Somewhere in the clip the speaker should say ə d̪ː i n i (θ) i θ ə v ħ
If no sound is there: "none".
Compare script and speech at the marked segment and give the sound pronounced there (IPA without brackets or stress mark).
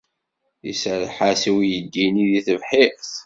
ð